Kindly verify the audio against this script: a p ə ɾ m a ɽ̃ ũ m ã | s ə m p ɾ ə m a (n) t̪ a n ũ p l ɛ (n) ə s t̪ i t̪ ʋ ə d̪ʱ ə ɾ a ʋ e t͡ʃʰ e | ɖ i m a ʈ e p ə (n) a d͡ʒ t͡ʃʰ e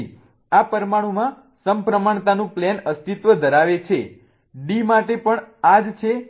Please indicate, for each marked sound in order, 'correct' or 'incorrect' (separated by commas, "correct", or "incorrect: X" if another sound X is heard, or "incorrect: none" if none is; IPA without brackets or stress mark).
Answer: incorrect: ɳ, correct, incorrect: ɳ